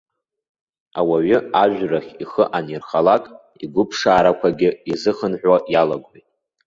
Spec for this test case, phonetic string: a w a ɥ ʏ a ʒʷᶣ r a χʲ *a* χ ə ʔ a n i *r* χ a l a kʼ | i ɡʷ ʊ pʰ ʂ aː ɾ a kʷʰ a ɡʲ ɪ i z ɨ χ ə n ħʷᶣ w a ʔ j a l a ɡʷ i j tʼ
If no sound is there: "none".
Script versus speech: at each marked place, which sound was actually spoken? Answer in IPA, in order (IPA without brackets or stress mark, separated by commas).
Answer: i, r